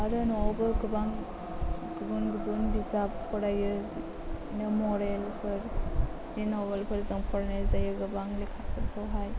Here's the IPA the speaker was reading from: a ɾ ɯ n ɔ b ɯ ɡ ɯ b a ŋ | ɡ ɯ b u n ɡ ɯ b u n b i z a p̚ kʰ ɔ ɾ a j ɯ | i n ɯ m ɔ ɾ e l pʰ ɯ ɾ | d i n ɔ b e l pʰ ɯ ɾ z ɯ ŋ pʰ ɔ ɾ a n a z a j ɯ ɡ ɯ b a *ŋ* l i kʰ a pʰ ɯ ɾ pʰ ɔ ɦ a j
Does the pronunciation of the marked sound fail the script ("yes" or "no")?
no